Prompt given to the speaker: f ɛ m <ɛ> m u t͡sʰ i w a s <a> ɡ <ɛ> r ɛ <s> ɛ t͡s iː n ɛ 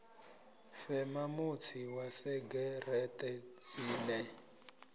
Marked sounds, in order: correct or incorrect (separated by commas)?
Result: incorrect, incorrect, correct, incorrect